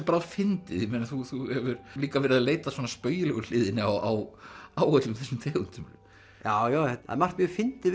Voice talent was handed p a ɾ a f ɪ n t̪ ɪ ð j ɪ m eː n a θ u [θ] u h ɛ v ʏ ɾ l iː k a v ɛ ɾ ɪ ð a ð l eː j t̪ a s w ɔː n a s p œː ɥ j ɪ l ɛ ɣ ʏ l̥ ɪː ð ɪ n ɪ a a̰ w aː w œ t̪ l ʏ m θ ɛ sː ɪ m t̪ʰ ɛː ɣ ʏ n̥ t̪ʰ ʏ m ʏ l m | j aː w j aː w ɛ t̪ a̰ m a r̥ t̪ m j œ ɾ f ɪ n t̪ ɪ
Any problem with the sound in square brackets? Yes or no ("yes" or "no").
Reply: no